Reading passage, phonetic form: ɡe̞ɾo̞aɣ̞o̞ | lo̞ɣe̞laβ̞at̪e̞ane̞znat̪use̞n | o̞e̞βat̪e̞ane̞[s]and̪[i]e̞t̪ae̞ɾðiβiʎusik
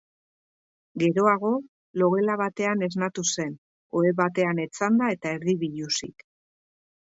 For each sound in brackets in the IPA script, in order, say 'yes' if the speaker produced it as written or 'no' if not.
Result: no, no

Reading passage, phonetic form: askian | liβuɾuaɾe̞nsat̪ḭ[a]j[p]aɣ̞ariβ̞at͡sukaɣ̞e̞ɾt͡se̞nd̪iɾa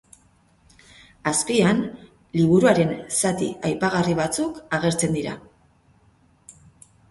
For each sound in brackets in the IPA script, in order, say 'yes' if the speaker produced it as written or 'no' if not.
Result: yes, yes

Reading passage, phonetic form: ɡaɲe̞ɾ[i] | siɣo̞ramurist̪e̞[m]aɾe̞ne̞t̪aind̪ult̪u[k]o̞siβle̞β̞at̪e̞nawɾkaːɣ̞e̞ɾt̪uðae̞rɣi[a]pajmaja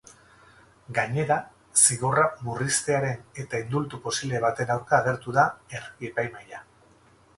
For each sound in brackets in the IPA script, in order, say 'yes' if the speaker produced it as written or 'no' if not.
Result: no, no, no, no

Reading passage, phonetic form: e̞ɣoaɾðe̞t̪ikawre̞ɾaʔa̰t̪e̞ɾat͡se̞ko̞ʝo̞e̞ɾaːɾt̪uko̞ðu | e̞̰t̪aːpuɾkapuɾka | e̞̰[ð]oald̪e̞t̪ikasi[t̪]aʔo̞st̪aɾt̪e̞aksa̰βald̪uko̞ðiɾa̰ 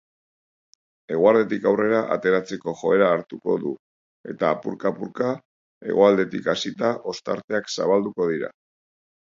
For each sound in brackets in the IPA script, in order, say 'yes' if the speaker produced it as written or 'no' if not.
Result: no, yes

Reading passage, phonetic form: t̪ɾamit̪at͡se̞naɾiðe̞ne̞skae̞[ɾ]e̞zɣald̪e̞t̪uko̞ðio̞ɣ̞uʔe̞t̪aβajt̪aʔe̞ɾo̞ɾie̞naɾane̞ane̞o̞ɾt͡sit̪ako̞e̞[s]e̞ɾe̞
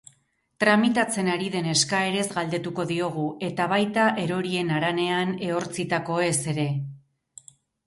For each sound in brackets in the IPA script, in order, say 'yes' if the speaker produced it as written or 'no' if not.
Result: yes, yes

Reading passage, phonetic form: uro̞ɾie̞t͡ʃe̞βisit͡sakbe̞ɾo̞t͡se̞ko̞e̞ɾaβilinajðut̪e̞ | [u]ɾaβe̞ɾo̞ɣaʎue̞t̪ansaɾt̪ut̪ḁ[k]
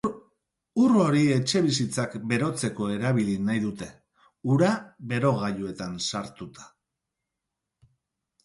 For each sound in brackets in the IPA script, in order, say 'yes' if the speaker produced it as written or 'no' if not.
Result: yes, no

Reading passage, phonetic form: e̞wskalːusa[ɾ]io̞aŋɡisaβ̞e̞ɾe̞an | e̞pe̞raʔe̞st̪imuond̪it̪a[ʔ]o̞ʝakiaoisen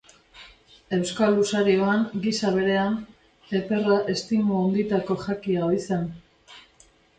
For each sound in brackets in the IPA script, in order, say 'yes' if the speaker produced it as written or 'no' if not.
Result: yes, no

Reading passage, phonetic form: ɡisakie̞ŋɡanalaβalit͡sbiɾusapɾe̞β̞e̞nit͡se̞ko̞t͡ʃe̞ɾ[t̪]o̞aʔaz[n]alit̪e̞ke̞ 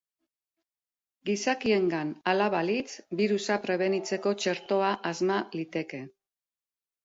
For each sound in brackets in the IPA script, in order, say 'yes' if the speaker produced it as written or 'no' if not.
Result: yes, no

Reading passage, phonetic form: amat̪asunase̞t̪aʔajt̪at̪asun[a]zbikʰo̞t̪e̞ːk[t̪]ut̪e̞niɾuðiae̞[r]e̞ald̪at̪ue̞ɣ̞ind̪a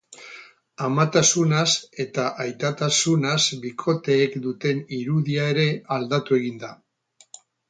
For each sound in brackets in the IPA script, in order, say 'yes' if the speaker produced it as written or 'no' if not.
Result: yes, no, no

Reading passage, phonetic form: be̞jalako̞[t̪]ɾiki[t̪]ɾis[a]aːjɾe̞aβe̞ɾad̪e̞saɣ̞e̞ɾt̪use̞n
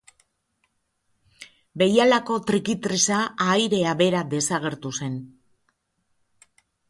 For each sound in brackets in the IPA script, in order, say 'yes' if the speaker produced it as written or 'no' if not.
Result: yes, yes, yes

